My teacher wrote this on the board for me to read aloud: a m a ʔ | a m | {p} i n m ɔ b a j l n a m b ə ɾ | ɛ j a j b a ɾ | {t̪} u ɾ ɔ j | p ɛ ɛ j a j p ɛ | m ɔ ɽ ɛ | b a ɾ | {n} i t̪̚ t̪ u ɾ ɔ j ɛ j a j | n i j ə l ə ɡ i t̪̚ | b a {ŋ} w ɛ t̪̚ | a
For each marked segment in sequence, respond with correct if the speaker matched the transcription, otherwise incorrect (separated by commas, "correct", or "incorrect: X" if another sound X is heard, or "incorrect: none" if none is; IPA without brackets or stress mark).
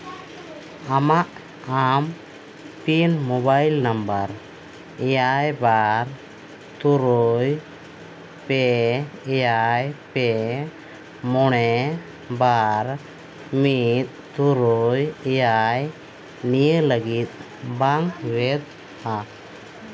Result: correct, correct, incorrect: m, correct